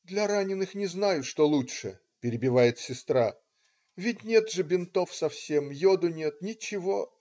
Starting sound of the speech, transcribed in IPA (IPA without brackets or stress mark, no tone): d̪